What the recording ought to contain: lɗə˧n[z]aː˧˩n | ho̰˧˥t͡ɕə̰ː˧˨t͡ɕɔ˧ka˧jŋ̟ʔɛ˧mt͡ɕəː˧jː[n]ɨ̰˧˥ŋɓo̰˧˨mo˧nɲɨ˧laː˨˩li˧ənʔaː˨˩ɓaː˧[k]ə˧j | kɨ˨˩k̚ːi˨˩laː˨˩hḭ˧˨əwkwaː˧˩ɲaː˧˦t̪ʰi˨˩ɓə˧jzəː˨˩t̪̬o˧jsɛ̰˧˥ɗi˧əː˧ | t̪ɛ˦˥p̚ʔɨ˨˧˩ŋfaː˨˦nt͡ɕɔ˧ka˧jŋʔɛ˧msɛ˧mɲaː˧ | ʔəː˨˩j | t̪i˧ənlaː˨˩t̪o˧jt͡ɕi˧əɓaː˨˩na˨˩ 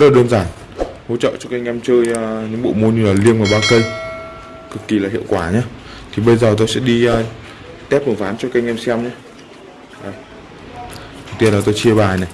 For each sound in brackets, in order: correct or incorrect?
correct, incorrect: ɲ, correct

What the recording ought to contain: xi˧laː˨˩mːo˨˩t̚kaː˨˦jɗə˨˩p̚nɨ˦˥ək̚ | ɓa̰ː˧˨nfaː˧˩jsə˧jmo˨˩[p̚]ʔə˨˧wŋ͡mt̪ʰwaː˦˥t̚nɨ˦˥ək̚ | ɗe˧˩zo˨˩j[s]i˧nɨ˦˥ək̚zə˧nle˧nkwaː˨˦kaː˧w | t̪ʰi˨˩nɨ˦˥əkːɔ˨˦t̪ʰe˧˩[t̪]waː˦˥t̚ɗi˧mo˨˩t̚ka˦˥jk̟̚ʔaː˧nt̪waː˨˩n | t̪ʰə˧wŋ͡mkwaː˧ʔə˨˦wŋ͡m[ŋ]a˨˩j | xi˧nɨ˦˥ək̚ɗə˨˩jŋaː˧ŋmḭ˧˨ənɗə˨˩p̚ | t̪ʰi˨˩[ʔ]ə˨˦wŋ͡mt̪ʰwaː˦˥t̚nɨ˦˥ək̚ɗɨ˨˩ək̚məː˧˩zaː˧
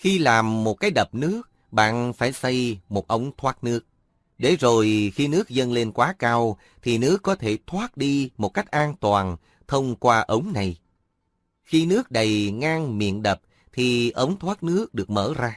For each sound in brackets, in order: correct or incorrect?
incorrect: t̚, incorrect: x, incorrect: t̪ʰ, incorrect: n, correct

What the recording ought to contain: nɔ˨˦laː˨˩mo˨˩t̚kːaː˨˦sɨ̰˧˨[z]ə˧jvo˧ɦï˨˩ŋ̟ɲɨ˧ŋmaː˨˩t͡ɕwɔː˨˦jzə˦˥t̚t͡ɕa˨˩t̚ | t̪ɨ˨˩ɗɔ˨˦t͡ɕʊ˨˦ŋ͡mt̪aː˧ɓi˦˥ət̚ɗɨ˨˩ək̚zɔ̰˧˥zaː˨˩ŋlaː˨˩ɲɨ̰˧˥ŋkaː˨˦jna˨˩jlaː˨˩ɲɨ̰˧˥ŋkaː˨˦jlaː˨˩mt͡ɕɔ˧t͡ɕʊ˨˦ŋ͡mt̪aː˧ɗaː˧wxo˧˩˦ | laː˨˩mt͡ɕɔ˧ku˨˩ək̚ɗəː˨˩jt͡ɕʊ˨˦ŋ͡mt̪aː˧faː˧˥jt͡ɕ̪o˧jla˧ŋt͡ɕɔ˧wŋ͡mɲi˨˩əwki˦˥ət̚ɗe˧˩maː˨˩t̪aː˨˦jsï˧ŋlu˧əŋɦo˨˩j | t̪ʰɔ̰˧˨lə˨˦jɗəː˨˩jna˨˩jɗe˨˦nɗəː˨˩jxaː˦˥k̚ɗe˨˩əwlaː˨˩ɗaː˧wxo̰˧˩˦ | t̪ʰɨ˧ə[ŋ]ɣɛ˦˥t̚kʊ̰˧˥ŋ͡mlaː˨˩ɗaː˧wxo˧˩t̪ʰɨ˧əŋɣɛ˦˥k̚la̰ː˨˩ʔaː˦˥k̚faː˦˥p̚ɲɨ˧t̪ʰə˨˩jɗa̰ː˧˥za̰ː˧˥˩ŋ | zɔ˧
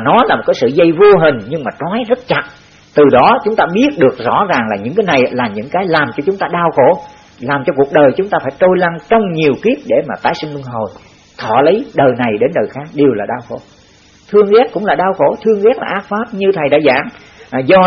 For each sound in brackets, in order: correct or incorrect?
correct, correct

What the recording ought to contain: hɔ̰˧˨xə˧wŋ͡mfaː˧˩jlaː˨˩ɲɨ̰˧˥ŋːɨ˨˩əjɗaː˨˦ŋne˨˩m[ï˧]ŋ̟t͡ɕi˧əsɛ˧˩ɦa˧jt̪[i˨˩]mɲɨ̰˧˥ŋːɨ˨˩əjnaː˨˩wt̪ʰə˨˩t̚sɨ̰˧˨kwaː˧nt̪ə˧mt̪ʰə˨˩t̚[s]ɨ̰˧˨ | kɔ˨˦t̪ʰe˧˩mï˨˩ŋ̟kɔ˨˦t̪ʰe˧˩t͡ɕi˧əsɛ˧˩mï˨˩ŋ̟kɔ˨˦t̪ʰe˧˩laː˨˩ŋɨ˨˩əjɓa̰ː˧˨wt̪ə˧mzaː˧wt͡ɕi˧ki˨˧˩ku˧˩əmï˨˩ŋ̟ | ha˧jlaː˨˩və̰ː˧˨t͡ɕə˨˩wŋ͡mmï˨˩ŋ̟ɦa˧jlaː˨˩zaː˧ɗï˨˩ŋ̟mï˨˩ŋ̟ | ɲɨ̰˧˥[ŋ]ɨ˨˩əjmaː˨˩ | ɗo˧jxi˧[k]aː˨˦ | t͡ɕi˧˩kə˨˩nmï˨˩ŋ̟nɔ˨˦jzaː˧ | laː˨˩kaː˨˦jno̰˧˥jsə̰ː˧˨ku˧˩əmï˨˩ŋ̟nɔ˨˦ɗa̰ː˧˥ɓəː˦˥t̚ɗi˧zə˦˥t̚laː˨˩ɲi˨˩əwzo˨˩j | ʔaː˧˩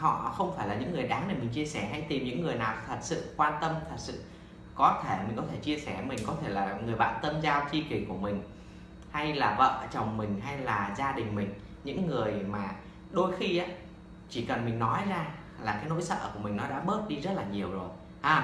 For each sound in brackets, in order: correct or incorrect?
incorrect: ï˨˩, correct, correct, incorrect: ŋː, incorrect: ʔ

